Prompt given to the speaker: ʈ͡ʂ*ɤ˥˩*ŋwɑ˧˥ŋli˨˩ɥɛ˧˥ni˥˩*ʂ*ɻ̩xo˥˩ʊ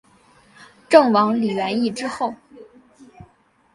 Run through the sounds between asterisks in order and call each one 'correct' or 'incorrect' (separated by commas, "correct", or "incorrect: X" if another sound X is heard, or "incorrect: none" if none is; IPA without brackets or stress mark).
correct, incorrect: ʈ͡ʂ